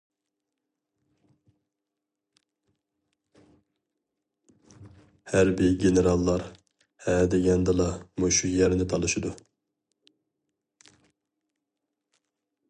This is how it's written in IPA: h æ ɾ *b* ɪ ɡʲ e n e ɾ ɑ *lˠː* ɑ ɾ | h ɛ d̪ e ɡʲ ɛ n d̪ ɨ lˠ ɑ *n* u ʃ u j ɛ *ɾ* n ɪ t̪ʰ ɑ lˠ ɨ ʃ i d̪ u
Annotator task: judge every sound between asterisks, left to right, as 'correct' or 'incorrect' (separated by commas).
correct, correct, incorrect, correct